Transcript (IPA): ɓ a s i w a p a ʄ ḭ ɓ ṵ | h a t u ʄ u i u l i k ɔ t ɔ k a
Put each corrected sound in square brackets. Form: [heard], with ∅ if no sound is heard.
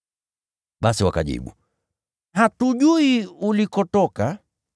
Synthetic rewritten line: ɓ a s i w a [k] a ʄ ḭ ɓ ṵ | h a t u ʄ u i u l i k ɔ t ɔ k a